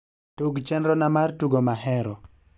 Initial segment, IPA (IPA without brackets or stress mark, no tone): t